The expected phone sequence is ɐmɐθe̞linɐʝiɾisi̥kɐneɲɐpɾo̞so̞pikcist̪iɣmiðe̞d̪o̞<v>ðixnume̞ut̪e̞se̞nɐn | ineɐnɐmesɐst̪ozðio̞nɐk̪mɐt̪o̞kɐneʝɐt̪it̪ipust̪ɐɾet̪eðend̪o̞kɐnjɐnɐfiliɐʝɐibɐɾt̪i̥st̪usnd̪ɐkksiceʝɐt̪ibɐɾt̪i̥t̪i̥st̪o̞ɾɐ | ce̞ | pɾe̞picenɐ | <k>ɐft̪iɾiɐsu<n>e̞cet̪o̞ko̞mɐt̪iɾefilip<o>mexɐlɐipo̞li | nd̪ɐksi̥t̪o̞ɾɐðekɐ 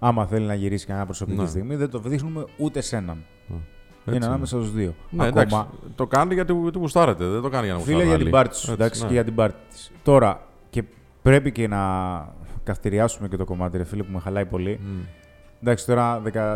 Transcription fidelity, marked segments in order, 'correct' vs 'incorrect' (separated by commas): correct, correct, incorrect, incorrect